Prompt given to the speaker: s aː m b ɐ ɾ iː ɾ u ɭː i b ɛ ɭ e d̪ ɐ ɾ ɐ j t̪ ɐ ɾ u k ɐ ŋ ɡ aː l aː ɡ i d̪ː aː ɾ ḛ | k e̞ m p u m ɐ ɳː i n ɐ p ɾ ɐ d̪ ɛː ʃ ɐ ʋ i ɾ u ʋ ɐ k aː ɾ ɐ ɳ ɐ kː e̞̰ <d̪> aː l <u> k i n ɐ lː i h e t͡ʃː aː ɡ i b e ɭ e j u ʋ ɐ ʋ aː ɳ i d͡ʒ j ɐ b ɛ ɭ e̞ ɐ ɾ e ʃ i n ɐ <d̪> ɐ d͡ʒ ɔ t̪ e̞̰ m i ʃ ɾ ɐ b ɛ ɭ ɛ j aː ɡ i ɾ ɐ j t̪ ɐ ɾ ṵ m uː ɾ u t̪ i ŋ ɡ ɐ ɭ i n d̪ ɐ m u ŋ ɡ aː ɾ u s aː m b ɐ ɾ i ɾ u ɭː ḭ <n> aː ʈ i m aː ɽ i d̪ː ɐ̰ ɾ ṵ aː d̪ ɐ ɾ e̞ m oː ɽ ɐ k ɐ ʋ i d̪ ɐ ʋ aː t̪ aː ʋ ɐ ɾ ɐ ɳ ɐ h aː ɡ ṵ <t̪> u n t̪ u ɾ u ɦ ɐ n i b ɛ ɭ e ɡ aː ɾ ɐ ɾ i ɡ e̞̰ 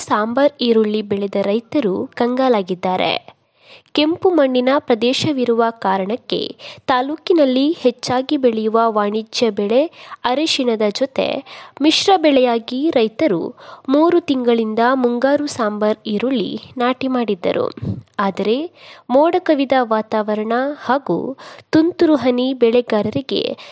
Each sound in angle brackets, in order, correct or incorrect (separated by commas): incorrect, incorrect, correct, correct, correct